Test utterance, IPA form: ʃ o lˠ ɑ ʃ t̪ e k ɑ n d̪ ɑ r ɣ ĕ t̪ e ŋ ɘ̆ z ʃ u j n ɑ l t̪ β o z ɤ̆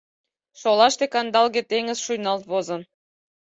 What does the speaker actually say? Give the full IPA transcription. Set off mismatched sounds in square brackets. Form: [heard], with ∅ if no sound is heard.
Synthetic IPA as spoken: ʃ o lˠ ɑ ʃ t̪ e k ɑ n d̪ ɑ [l] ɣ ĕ t̪ e ŋ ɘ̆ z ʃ u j n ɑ l t̪ β o z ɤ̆